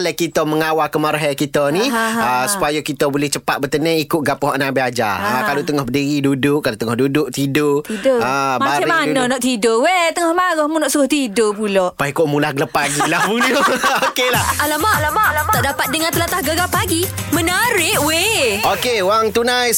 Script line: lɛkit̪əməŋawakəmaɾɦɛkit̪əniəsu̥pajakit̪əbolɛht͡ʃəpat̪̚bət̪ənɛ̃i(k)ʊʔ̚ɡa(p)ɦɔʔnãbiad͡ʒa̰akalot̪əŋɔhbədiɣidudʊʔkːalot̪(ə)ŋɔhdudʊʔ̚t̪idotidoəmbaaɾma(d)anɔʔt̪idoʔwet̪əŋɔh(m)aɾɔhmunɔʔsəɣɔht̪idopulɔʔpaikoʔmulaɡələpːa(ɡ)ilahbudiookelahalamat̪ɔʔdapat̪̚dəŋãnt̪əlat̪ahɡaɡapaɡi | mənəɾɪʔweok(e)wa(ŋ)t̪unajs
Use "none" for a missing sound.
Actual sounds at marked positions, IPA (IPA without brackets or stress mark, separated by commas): k, p, ə, n, m, ɡ, e, ŋ